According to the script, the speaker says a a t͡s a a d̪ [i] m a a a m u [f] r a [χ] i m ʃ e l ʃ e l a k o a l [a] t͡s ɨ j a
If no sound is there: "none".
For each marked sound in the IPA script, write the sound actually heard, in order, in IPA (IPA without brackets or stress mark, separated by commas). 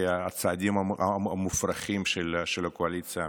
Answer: i, f, χ, i